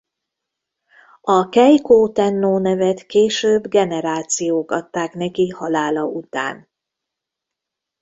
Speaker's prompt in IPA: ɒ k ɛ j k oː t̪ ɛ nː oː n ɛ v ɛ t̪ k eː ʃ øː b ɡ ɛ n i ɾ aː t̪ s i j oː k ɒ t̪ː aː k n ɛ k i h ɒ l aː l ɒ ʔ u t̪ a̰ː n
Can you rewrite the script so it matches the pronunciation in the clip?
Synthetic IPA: ɒ k ɛ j k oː t̪ ɛ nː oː n ɛ v ɛ t̪ k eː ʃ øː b ɡ ɛ n ɛ ɾ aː t̪ s i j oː k ɒ t̪ː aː k n ɛ k i h ɒ l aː l ɒ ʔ u t̪ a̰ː n